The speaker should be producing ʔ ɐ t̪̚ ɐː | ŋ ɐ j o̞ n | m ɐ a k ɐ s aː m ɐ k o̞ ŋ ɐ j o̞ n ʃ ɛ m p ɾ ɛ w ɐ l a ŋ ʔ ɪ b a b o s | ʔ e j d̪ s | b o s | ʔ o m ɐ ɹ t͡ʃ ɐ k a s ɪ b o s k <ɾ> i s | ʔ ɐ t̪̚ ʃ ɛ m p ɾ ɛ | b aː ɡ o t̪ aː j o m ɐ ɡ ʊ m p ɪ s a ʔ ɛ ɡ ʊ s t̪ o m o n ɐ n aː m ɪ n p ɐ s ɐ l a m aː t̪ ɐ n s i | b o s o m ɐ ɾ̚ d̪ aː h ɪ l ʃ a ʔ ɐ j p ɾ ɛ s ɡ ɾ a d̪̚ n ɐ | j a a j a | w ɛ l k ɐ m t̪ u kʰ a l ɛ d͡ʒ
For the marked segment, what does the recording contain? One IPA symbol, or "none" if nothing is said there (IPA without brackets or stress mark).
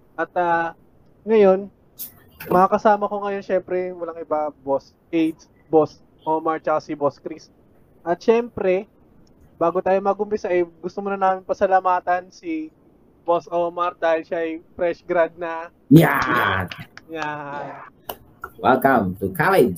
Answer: ɾ